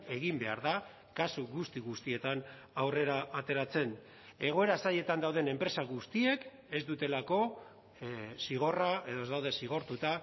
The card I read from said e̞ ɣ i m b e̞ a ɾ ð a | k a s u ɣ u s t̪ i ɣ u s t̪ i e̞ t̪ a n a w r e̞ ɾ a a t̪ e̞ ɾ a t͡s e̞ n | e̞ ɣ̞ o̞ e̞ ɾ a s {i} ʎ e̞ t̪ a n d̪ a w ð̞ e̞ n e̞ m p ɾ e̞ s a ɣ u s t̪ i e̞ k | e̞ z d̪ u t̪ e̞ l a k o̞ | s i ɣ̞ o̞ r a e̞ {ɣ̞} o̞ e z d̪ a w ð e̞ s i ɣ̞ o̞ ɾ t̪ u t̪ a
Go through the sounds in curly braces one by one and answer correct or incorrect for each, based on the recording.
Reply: incorrect: a, incorrect: ð̞

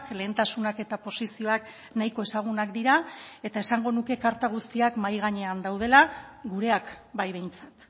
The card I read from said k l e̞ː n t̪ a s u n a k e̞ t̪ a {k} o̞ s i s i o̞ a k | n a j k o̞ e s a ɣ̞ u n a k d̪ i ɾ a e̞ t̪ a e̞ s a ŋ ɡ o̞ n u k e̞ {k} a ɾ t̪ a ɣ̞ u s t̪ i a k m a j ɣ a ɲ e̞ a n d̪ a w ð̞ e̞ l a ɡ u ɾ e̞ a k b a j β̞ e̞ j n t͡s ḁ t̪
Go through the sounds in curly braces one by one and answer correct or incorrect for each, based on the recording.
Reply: incorrect: p, correct

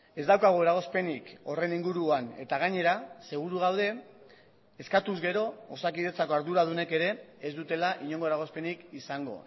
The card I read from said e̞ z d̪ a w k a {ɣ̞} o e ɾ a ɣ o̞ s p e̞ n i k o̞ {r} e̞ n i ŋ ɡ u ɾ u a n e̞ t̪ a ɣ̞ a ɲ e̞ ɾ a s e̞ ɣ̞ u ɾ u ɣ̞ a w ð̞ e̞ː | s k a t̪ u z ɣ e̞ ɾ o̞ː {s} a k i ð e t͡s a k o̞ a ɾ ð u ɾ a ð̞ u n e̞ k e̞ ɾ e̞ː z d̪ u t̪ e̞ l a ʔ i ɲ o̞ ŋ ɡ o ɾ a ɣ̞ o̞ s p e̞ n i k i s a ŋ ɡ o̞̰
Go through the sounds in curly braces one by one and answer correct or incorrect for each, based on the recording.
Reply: correct, correct, correct

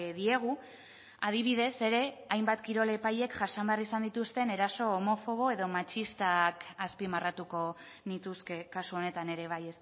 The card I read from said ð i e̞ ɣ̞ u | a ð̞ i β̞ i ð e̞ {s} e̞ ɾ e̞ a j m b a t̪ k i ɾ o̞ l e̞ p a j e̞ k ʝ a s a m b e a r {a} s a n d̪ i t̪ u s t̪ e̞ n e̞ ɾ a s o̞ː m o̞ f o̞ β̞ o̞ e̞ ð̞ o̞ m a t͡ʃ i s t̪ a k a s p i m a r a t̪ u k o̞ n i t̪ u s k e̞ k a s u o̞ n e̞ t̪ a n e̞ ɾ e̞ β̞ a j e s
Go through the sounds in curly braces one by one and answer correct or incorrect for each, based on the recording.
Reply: correct, incorrect: i

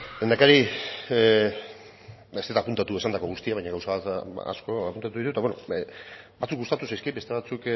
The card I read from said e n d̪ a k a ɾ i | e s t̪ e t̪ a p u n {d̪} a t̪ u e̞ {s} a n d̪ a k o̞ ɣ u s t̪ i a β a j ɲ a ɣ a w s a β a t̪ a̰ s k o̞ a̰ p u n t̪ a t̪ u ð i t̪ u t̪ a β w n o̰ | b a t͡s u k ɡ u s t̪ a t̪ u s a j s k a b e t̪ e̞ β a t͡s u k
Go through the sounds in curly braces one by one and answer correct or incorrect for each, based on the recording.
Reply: incorrect: t̪, correct

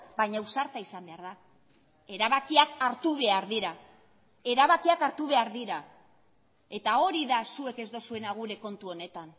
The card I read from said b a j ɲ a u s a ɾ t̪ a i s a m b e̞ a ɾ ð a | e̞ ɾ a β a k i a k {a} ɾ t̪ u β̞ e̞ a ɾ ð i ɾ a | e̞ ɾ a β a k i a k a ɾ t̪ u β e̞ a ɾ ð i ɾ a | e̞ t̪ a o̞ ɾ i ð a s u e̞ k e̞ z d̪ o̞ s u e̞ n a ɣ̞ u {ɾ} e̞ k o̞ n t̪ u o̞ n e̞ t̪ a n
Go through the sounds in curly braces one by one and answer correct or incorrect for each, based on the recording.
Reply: correct, correct

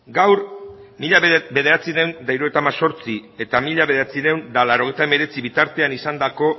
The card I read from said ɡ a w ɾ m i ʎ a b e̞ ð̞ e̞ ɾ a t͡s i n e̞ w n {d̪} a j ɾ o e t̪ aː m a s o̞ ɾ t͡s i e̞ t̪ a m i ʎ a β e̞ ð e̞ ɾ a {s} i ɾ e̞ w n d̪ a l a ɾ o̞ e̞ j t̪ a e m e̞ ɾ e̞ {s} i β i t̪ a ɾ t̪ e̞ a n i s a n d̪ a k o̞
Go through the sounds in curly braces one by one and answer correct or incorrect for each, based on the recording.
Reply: correct, incorrect: t͡s, incorrect: t͡s

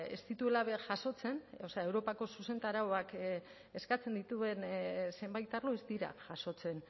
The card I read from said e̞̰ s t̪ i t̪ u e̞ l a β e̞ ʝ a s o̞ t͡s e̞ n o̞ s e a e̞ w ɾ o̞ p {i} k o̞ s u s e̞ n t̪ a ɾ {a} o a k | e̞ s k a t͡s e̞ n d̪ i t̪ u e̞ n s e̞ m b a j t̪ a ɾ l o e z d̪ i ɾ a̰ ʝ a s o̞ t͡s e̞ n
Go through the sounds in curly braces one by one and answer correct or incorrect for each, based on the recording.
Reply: incorrect: a, correct

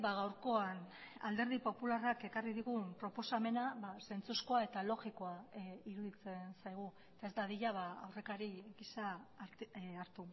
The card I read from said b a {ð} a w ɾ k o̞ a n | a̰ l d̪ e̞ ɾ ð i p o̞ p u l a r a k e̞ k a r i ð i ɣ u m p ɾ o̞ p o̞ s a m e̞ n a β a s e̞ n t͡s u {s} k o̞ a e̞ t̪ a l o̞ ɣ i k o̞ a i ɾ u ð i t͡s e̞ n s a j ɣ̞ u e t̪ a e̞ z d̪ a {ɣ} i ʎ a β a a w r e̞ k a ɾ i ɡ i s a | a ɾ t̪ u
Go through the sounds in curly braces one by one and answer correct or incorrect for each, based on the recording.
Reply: incorrect: ɣ, correct, incorrect: ð

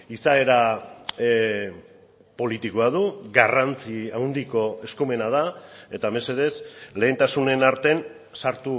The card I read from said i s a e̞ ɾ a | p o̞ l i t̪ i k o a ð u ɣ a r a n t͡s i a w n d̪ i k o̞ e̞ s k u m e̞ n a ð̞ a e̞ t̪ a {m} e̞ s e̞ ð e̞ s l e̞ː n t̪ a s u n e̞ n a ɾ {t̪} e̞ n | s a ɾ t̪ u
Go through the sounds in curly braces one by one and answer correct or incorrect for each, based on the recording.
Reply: correct, correct

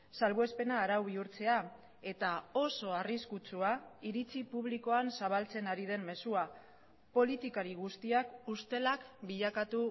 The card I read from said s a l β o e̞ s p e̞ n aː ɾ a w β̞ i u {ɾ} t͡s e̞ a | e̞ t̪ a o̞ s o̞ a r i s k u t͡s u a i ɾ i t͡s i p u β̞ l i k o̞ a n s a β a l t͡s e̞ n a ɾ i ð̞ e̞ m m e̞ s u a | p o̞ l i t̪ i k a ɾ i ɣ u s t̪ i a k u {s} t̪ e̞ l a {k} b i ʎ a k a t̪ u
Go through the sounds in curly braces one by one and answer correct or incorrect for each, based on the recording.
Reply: correct, correct, correct

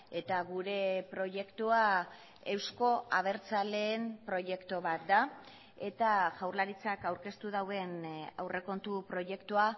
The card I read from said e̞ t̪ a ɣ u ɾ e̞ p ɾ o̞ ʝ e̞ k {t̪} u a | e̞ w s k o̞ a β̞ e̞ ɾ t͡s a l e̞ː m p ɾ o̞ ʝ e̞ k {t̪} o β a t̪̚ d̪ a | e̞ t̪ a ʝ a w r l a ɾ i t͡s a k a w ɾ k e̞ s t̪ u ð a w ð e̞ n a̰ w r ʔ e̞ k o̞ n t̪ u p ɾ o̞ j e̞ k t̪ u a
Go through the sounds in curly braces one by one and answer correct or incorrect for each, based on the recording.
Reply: correct, correct

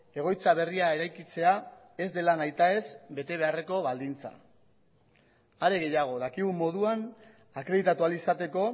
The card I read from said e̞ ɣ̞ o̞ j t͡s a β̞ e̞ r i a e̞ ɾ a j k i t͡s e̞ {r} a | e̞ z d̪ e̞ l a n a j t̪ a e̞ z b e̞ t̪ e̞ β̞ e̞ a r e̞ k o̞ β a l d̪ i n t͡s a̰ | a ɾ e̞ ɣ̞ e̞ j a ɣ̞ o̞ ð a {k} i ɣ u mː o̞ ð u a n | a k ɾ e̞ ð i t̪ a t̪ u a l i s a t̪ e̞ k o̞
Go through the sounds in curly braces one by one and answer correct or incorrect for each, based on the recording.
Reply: incorrect: none, correct

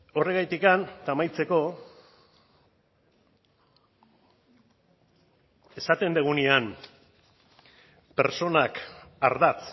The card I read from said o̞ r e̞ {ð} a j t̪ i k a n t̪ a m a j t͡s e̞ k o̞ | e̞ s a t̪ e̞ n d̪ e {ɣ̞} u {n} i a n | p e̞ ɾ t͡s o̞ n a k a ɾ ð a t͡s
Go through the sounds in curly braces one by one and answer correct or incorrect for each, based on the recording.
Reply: incorrect: ɣ, correct, correct

